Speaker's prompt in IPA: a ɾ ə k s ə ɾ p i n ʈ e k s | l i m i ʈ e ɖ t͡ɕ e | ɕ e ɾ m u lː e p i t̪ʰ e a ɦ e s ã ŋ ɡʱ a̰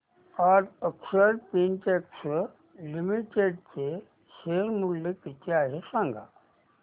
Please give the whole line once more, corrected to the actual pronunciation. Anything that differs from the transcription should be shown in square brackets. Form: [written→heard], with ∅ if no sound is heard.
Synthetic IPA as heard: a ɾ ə k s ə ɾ p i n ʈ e k s | l i m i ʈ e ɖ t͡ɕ e | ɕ e ɾ m u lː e [p→k] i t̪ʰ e a ɦ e s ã ŋ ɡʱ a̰